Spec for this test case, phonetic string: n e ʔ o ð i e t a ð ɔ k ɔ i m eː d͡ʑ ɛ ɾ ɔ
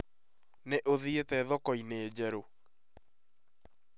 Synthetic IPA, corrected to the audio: n e ʔ o ð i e t ɛ ð ɔ k ɔ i n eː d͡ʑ ɛ ɾ o

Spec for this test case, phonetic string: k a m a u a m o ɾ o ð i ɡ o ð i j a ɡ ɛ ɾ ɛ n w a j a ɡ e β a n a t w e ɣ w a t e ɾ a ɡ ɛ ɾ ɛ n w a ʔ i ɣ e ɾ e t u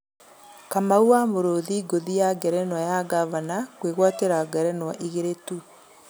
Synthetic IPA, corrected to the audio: k a m a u a m o ɾ o ð i ɡ o ð i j a ɡ ɛ ɾ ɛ n w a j a ɡ a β a n a k w e ɣ w a t e ɾ a ɡ ɛ ɾ ɛ n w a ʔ i ɣ e ɾ e t u

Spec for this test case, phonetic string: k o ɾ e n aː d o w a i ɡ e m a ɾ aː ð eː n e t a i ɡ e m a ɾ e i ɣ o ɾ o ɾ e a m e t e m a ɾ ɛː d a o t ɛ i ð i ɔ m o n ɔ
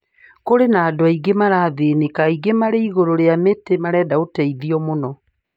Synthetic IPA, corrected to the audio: k o ɾ e n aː d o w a i ɡ e m a ɾ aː ð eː n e k a i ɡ e m a ɾ e i ɣ o ɾ o ɾ e a m e t e m a ɾ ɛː d a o t ɛ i ð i ɔ m o n ɔ

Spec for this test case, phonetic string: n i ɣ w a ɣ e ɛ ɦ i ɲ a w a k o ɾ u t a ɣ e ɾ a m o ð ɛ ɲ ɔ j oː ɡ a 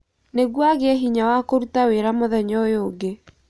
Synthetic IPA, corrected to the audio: n e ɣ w a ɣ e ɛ ɦ i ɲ a w a k o ɾ u t a w e ɾ a m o ð ɛ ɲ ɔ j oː ɡ e

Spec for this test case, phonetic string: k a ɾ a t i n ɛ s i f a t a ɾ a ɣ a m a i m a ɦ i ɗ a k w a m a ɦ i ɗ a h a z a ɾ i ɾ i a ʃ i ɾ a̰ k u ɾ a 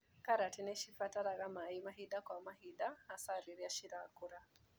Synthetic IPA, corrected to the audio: k a ɾ a t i n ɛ ʃ i f a t a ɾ a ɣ a m a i m a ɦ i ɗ a k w a m a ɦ i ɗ a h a s a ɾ i ɾ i a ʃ i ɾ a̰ k u ɾ a

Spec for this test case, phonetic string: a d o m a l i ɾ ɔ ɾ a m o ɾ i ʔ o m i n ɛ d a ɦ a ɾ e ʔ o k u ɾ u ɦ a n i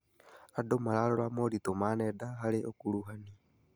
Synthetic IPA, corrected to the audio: a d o m a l a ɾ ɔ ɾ a m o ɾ i t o m a n ɛ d a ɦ a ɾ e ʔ o k u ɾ u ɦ a n i

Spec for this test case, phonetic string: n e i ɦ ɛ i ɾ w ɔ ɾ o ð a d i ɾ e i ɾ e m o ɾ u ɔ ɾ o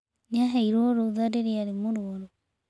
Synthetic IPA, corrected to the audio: n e a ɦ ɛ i ɾ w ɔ ɾ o ð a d e ɾ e a ɾ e m o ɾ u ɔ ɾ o

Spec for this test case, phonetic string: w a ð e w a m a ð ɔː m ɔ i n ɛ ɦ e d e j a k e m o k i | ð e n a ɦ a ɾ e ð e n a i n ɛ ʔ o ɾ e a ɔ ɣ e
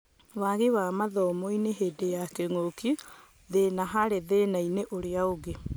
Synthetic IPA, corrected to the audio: w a ɣ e w a m a ð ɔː m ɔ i n e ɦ e d e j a k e ŋ o k i | ð e n a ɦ a ɾ e ð e n a i n e ʔ o ɾ e a o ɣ e

